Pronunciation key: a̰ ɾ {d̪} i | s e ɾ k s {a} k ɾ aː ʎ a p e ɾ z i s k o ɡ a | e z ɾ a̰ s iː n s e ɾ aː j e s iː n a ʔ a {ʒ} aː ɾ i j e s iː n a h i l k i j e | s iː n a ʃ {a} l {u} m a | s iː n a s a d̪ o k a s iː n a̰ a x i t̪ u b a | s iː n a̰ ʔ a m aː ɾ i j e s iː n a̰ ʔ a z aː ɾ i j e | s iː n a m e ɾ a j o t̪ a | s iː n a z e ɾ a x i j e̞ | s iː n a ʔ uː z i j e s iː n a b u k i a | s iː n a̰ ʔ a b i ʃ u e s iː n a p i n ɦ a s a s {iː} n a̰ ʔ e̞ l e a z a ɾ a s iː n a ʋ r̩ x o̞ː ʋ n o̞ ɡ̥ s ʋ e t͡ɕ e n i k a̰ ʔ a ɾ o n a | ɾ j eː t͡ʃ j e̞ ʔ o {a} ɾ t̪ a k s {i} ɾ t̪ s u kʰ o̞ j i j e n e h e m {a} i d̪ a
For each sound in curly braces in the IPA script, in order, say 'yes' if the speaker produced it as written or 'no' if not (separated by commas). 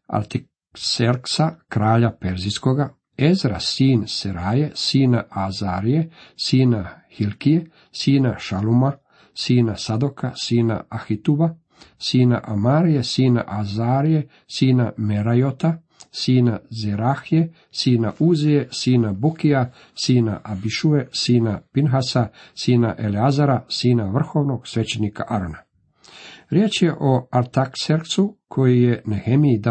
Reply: no, yes, no, yes, yes, yes, yes, no, no